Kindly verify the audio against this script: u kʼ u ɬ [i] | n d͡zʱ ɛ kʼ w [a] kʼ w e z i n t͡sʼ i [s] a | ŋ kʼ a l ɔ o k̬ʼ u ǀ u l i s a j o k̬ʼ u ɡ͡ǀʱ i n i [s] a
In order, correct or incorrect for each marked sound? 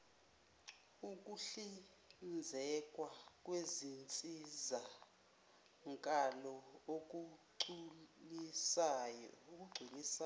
correct, correct, incorrect, correct

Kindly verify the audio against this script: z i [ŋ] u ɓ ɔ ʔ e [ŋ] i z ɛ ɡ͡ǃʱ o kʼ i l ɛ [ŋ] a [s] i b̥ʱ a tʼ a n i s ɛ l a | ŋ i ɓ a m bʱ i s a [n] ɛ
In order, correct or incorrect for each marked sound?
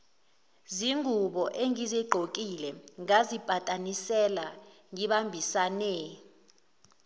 correct, correct, correct, incorrect, correct

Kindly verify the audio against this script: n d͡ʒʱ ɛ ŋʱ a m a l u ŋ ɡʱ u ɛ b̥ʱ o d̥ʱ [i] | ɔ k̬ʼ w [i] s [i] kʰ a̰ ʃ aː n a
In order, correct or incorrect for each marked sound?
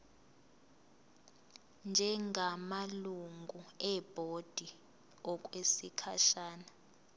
correct, incorrect, correct

